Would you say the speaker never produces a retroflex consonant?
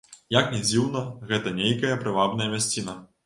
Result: yes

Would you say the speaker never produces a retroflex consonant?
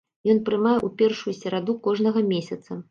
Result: no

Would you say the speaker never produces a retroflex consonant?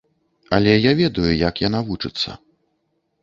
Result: no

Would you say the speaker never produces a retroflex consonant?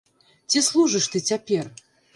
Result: no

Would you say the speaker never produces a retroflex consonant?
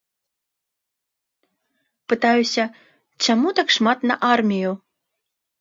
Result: no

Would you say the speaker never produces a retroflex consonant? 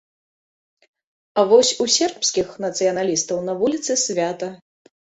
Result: yes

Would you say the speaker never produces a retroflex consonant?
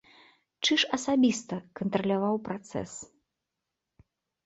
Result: no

